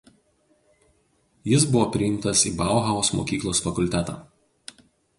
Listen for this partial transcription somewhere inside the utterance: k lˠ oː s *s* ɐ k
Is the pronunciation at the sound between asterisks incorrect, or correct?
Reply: incorrect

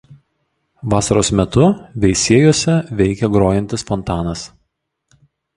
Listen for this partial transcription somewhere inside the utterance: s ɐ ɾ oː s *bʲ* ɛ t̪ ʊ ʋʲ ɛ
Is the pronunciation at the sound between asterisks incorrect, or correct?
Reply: incorrect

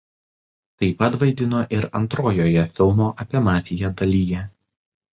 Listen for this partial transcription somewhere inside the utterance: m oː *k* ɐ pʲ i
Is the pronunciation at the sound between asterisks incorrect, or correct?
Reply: incorrect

